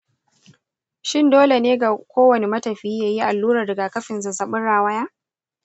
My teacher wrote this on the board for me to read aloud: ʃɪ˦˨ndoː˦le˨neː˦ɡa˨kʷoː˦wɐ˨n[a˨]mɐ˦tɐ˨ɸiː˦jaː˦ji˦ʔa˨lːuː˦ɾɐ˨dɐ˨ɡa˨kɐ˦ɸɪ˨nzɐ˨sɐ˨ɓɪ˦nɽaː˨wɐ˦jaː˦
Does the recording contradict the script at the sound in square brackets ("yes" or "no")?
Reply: yes